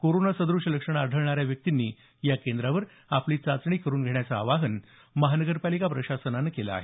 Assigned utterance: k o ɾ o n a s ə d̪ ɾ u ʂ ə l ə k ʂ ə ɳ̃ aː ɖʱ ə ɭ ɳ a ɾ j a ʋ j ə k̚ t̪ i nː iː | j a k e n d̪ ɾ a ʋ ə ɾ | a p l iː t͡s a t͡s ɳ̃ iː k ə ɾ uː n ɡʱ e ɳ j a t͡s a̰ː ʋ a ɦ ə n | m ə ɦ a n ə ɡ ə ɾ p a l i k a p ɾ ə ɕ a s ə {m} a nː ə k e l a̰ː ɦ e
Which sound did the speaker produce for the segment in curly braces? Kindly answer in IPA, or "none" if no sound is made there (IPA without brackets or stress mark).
n